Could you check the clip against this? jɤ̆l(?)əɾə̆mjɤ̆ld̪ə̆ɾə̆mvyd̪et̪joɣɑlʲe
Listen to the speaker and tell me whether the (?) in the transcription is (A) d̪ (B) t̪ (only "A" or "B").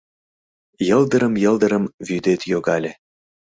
A